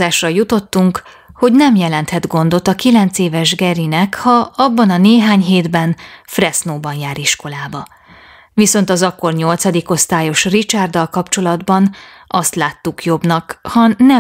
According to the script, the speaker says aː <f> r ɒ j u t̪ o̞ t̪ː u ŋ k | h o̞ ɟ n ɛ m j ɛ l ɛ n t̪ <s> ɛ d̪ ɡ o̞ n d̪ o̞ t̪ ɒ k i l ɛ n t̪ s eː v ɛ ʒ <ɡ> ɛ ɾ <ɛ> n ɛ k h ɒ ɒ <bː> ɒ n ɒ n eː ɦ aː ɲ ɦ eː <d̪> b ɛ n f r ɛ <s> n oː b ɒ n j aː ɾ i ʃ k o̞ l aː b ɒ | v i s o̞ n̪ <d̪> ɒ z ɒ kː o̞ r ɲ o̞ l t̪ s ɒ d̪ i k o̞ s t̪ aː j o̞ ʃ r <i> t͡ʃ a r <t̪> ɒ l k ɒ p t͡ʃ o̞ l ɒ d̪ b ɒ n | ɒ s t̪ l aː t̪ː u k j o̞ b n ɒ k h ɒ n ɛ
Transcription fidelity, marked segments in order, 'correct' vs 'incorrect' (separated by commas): incorrect, incorrect, correct, incorrect, correct, correct, correct, incorrect, correct, incorrect